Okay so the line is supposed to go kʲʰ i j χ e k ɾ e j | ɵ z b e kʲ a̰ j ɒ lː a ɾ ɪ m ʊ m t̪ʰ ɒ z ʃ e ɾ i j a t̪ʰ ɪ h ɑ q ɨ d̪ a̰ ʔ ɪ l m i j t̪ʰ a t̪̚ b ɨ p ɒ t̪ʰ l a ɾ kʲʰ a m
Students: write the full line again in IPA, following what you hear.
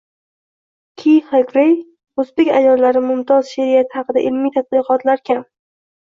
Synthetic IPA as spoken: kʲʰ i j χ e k ɾ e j | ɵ z b e kʲ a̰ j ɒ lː a ɾ ɪ m ʊ m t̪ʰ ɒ z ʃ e ɾ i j a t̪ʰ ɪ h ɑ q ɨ d̪ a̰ ʔ ɪ l m i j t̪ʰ a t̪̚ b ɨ q ɒ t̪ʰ l a ɾ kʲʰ a m